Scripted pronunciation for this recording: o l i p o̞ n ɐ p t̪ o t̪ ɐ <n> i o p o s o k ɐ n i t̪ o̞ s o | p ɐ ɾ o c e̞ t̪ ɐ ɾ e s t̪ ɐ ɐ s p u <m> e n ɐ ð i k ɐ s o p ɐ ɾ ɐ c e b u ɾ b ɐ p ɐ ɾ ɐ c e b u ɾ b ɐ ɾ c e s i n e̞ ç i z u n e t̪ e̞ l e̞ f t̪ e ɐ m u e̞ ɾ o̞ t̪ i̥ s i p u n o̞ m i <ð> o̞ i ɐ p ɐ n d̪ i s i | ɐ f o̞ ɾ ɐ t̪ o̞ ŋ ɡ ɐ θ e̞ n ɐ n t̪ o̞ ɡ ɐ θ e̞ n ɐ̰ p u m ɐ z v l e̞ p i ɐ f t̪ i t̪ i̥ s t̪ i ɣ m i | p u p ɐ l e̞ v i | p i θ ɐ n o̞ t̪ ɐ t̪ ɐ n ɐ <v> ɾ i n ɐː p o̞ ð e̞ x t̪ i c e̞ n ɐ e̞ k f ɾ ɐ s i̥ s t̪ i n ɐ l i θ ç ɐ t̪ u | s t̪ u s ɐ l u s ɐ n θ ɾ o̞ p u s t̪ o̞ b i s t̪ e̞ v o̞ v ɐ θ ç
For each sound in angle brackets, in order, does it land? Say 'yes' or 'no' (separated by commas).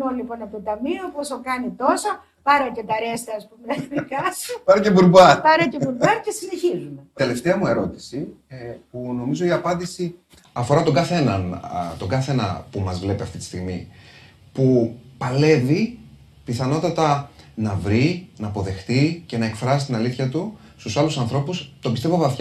no, yes, no, yes